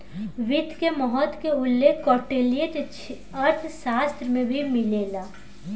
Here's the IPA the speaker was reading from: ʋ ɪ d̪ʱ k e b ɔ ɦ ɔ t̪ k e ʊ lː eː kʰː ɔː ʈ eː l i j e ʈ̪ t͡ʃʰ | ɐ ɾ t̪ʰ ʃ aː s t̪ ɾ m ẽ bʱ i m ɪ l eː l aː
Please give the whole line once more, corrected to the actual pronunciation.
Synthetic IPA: ʋ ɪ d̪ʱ k e m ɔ ɦ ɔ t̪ k e ʊ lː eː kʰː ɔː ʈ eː l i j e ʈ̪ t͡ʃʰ | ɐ ɾ t̪ʰ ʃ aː s t̪ ɾ m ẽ bʱ i m ɪ l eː l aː